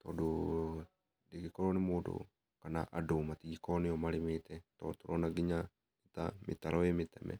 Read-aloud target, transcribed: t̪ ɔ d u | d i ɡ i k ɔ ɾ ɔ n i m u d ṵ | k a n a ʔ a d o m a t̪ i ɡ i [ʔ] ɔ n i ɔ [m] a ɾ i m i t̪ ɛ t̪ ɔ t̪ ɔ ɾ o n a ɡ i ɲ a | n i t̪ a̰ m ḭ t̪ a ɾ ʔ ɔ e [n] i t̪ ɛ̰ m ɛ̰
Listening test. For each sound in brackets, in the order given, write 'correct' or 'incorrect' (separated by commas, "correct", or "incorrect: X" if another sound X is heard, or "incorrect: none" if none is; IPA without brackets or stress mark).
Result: incorrect: k, correct, incorrect: m